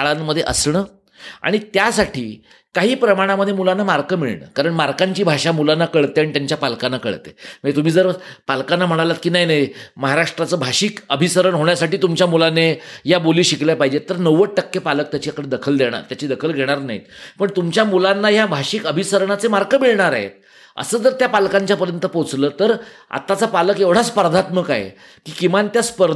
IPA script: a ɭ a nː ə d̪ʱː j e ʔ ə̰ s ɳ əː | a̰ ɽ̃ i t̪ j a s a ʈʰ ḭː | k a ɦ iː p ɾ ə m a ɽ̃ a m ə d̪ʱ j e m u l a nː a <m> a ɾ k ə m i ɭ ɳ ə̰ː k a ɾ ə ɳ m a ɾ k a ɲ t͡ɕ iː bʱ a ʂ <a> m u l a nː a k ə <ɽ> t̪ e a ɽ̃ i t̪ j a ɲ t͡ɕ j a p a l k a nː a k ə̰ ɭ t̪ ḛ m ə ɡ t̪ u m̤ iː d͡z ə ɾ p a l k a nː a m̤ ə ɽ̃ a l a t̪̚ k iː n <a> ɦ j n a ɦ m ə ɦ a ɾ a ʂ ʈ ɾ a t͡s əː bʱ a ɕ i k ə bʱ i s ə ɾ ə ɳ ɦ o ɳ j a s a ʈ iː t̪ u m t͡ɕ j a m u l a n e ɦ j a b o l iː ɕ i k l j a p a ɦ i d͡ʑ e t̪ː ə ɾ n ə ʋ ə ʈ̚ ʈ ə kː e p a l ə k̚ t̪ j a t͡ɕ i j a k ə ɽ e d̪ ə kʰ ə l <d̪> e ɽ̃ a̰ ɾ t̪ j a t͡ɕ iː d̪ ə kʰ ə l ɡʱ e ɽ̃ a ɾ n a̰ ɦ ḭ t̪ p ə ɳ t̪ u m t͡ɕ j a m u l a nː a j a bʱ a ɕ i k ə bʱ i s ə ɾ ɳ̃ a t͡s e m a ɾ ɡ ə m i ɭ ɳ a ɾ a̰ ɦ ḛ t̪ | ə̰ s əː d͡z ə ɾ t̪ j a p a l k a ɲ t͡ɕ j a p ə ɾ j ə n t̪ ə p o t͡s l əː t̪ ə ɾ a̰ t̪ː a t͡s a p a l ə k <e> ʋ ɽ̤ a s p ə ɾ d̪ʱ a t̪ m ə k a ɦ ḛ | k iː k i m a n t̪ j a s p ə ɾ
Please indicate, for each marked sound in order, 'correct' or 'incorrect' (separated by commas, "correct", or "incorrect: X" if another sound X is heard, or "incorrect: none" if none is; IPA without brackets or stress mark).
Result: correct, correct, incorrect: ɭ, correct, correct, correct